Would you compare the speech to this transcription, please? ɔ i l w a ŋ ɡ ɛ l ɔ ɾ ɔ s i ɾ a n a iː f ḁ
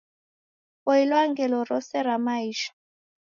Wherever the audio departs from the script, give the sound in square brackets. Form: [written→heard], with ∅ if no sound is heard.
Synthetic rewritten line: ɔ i l w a ŋ ɡ ɛ l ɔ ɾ ɔ s [i→ɛ] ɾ a [n→m] a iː [f→ʃ] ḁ